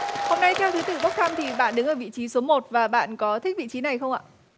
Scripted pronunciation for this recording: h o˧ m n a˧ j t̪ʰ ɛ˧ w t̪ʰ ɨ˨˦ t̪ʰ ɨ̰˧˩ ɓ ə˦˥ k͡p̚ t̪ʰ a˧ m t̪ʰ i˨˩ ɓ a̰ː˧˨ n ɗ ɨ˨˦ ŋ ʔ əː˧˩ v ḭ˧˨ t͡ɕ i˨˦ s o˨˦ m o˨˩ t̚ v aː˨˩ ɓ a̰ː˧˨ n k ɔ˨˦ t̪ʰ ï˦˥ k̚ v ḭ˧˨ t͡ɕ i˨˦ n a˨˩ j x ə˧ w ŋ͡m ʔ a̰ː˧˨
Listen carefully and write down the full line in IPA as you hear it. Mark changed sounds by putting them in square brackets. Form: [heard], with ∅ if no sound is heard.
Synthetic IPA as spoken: h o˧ m n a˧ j t̪ʰ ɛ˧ w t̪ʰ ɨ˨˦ [t̪] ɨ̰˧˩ ɓ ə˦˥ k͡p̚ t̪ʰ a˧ m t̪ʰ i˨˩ ɓ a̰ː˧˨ n ɗ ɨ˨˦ ŋ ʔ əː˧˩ v ḭ˧˨ t͡ɕ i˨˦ s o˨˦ m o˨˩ t̚ v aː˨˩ ɓ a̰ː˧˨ n k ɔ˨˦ t̪ʰ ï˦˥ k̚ v ḭ˧˨ t͡ɕ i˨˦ n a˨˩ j x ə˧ w ŋ͡m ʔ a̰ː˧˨

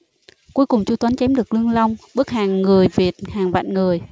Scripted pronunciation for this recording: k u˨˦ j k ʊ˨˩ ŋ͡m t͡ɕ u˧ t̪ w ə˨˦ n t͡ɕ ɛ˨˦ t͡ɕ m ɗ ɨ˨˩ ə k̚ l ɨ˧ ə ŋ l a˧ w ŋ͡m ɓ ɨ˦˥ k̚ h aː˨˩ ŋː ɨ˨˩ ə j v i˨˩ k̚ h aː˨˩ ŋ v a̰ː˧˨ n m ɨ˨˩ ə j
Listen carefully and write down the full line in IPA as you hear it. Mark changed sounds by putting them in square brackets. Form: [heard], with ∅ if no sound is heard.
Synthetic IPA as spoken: k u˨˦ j k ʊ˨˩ ŋ͡m t͡ɕ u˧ t̪ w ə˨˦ n t͡ɕ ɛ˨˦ [∅] m ɗ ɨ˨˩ ə k̚ l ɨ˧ ə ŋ l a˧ w ŋ͡m ɓ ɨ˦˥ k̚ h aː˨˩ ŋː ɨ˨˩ ə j v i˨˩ [t̚] h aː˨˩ ŋ v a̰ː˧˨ n [ŋ] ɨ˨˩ ə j

